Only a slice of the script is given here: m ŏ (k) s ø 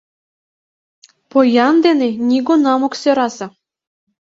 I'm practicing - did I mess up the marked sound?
no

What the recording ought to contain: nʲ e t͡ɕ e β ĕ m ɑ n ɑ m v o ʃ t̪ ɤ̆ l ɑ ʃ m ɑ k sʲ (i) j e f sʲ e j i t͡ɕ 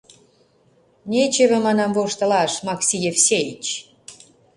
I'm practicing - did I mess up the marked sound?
no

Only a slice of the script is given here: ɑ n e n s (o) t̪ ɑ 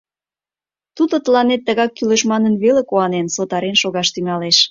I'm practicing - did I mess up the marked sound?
no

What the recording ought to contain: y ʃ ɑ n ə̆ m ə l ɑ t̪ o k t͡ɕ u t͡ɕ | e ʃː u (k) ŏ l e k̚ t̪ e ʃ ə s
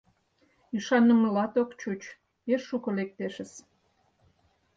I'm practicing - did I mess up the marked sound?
no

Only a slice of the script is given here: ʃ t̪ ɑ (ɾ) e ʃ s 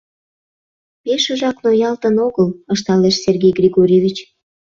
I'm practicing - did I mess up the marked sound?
yes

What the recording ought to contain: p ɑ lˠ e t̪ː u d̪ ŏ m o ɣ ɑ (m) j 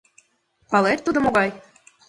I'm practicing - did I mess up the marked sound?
yes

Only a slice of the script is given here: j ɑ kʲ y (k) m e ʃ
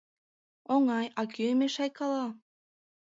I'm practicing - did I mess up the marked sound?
yes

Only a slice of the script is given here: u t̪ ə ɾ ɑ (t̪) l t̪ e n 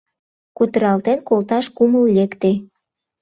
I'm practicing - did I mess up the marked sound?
yes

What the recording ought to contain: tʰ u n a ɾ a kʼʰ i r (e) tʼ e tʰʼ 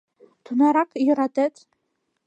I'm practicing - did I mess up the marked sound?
yes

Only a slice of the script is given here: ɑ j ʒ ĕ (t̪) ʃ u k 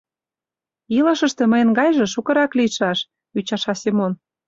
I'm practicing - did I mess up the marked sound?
yes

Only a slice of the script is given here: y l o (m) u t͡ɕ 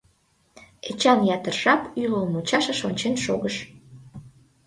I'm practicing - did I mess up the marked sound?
no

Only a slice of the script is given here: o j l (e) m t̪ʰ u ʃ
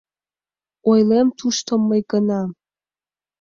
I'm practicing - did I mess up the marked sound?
no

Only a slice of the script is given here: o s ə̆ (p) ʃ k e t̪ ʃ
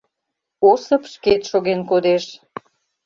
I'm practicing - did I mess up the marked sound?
no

